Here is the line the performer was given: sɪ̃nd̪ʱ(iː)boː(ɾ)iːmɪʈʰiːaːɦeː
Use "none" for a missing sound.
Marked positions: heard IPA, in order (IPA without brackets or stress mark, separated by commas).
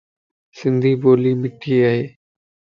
iː, l